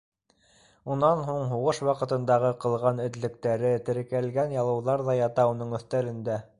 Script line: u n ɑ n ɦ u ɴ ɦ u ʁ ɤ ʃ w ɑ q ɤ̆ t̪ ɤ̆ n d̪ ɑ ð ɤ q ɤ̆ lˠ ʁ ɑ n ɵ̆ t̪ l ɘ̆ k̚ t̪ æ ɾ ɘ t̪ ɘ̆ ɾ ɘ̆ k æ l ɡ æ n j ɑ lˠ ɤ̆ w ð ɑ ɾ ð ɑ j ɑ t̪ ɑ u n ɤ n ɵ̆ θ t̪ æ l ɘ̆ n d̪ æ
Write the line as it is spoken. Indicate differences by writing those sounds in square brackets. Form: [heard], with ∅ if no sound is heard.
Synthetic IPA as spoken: u n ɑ n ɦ u ɴ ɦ u ʁ ɤ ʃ w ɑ q ɤ̆ t̪ ɤ̆ n d̪ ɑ [ʁ] ɤ q ɤ̆ lˠ ʁ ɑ n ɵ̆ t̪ l ɘ̆ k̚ t̪ æ ɾ ɘ t̪ ɘ̆ ɾ ɘ̆ k æ l ɡ æ n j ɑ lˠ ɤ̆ w ð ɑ ɾ ð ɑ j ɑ t̪ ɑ u n ɤ [ɴ] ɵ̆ θ t̪ æ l ɘ̆ n d̪ æ